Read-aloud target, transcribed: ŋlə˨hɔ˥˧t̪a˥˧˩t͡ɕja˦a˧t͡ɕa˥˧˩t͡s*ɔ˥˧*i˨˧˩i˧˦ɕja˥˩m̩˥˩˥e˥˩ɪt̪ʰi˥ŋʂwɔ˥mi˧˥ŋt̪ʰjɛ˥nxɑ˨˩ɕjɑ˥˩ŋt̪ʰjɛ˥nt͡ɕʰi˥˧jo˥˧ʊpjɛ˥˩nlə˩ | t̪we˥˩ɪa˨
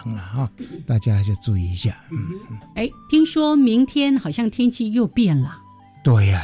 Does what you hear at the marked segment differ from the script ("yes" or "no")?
yes